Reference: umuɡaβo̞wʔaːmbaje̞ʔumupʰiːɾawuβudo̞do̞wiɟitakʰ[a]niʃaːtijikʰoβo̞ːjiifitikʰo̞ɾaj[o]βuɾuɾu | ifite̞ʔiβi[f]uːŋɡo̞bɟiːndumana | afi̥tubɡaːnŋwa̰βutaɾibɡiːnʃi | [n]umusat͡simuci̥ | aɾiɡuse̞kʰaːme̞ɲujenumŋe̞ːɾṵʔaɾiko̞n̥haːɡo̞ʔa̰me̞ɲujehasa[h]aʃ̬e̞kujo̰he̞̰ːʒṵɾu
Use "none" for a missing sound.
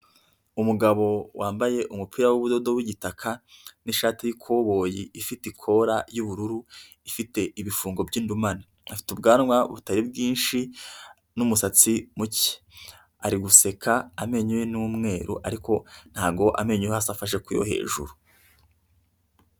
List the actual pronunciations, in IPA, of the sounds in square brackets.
a, u, f, n, f

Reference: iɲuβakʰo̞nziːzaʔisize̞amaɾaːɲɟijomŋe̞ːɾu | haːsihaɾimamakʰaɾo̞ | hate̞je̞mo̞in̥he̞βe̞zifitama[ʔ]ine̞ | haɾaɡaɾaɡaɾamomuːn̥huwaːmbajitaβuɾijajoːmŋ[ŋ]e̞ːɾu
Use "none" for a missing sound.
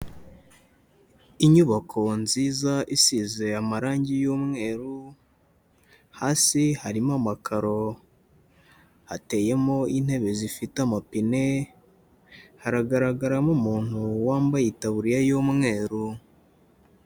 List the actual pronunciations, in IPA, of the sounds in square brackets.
p, ŋ

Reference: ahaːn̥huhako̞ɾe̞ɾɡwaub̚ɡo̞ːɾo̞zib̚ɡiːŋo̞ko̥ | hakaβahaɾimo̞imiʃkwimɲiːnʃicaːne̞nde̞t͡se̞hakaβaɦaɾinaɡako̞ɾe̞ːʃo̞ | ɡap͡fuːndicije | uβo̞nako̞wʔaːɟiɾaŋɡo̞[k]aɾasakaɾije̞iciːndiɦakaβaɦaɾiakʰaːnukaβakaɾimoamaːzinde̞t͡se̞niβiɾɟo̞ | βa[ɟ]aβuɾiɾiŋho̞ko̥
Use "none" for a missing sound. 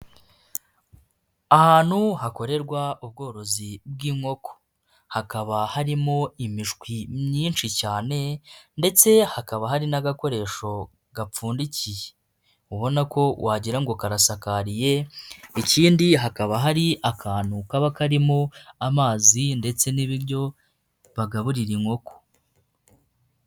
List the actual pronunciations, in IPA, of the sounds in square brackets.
k, ɡ

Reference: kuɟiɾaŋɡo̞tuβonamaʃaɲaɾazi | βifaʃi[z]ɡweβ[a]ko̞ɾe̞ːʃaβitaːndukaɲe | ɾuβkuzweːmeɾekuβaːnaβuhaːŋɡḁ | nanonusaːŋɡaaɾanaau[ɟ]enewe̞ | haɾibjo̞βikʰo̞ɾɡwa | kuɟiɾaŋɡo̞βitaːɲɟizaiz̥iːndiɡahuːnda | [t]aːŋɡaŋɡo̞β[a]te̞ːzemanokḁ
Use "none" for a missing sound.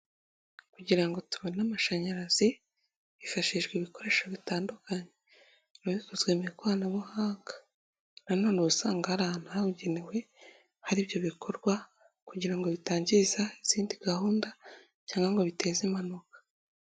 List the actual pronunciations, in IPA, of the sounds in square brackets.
ʒ, i, ɟ, c, i

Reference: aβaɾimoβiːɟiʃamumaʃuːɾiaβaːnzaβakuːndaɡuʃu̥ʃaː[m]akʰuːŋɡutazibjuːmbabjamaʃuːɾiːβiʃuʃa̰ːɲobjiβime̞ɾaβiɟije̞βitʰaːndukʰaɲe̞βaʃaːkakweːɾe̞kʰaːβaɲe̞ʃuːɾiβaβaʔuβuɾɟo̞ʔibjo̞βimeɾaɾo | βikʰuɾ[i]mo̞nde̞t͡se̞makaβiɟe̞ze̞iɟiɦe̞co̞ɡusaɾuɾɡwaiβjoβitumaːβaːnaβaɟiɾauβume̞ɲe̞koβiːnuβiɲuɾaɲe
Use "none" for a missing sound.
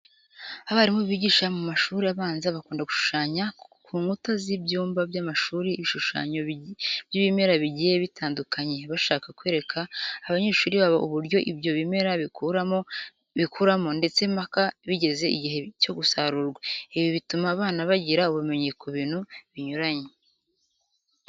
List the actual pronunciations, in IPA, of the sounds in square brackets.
ɲ, a

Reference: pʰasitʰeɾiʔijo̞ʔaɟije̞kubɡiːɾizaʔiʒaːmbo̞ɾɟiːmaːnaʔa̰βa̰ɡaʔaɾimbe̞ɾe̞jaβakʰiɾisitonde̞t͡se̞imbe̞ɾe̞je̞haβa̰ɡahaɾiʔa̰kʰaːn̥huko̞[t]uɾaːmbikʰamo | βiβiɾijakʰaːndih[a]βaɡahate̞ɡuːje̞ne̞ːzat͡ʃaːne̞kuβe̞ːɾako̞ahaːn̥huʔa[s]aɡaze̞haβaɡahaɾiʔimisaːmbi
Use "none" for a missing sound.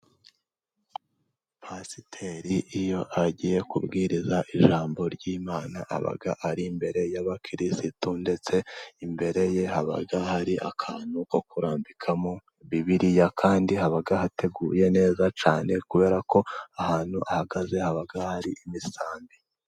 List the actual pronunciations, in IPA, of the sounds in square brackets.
k, a, h

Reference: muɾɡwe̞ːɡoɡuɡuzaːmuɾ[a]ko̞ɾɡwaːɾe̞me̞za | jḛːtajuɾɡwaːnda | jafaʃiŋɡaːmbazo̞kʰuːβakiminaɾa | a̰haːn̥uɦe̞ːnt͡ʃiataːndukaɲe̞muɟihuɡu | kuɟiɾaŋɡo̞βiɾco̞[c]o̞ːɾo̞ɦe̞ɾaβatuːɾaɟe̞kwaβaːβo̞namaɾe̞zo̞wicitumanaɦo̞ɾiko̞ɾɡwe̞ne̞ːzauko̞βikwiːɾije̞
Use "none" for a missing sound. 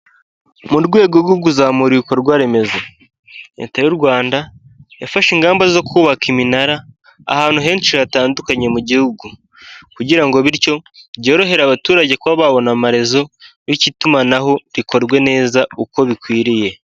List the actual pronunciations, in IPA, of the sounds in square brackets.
i, ɟ

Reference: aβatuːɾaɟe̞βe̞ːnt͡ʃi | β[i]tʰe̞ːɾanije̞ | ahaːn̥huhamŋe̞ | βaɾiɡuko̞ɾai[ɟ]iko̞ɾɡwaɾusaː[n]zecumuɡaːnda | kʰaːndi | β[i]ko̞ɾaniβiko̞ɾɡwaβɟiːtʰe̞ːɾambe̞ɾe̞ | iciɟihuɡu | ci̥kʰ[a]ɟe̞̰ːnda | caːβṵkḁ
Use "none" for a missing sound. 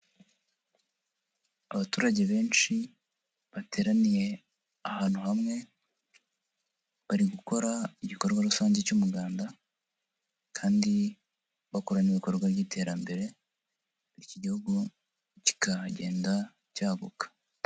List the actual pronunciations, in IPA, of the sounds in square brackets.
a, ɟ, ɲ, a, a

